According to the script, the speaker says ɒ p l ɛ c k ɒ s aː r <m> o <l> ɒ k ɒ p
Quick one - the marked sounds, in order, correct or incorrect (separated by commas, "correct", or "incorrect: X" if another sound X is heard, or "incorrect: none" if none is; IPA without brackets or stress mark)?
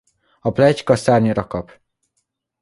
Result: incorrect: ɲ, incorrect: ɾ